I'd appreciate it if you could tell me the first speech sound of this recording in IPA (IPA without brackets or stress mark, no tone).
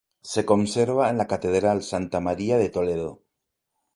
s